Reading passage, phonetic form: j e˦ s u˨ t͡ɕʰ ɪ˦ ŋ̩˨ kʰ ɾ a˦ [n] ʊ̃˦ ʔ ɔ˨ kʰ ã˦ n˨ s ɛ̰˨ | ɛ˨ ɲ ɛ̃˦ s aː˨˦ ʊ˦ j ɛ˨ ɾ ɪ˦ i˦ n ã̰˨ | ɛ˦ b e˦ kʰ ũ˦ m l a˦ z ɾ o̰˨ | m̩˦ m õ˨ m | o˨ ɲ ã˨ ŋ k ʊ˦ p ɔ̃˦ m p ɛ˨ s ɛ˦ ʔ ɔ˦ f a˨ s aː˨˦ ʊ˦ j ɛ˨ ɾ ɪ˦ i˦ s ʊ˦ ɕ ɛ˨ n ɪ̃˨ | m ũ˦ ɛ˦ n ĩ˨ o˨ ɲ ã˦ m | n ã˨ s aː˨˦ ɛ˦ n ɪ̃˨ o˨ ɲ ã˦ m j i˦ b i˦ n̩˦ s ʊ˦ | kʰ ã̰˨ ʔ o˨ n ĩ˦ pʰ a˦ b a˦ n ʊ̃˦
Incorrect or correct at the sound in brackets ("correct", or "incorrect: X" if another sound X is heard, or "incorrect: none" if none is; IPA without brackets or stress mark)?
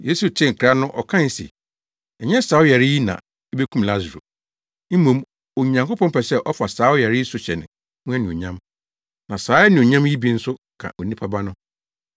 correct